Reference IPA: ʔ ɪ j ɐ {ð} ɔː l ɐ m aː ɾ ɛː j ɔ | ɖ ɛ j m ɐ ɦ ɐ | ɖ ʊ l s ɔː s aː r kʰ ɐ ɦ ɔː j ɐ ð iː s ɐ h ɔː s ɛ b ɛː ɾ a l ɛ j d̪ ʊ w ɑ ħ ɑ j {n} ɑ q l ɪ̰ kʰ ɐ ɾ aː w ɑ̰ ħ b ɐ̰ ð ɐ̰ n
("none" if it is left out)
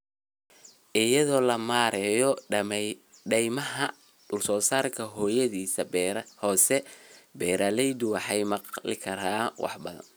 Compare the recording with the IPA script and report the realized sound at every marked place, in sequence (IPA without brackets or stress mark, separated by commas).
ð, m